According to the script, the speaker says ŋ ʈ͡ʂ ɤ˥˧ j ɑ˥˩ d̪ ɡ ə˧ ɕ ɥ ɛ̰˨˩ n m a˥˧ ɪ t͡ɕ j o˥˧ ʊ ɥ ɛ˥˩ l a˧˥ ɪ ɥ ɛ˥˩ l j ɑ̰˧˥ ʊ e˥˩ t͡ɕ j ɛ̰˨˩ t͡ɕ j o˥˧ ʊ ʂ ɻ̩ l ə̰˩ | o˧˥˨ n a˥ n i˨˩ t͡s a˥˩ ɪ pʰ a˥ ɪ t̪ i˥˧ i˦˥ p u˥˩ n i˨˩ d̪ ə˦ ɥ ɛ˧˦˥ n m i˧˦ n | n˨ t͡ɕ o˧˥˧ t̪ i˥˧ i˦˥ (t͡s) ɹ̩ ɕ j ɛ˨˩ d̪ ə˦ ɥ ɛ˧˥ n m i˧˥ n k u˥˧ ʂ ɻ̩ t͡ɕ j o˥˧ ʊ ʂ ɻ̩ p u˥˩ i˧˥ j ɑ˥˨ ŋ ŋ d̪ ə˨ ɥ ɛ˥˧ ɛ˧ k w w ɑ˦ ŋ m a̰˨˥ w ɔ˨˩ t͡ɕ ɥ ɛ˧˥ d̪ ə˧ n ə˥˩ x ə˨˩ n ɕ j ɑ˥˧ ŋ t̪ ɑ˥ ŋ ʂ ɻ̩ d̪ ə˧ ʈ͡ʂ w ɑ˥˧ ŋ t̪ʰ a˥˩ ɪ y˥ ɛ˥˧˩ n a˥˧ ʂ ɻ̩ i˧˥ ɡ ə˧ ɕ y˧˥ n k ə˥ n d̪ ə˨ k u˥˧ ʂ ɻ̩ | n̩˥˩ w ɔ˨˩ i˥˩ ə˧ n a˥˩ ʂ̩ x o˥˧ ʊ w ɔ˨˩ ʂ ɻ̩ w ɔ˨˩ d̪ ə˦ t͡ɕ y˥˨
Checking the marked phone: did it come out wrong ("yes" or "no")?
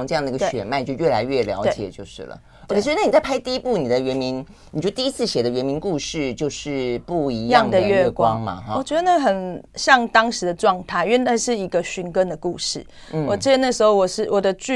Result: yes